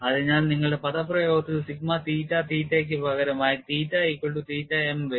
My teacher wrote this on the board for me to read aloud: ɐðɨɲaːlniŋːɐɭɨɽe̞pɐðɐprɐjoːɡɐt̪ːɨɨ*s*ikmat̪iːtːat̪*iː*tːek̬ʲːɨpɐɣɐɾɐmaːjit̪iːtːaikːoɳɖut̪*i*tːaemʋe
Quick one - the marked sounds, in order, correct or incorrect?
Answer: correct, correct, incorrect: iː

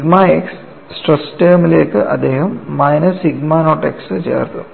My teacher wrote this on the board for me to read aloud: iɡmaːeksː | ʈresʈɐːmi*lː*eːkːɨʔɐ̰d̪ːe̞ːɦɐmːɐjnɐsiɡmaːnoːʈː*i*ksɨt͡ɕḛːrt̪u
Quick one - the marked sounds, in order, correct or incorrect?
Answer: incorrect: l, incorrect: e

